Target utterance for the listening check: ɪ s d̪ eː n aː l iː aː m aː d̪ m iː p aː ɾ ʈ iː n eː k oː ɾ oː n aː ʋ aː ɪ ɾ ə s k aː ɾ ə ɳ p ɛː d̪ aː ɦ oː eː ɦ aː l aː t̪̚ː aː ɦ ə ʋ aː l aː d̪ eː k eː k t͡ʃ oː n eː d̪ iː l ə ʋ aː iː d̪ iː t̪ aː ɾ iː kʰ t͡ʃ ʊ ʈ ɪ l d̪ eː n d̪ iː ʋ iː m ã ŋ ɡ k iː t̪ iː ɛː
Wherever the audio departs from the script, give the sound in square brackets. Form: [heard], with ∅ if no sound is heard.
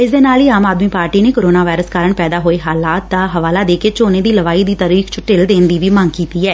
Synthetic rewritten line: ɪ s d̪ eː n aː l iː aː m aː d̪ m iː p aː ɾ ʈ iː n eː k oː ɾ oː n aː ʋ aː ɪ ɾ ə s k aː ɾ ə ɳ p ɛː d̪ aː ɦ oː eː ɦ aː l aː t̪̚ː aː ɦ ə ʋ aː l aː d̪ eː k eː [∅] t͡ʃ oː n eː d̪ iː l ə ʋ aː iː d̪ iː t̪ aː ɾ iː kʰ t͡ʃ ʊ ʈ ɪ l d̪ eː n d̪ iː ʋ iː m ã ŋ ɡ k iː t̪ iː ɛː